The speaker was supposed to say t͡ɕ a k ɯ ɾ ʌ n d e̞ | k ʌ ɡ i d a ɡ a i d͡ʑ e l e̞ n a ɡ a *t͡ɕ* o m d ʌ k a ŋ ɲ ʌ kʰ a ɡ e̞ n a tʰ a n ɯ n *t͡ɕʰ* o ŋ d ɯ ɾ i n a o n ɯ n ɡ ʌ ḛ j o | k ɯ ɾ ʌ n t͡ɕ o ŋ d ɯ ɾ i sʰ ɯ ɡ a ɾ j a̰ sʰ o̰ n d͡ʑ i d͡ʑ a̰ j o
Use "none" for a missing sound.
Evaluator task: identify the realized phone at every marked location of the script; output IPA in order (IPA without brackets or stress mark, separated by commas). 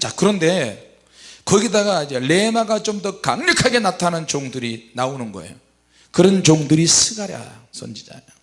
t͡ɕ, t͡ɕ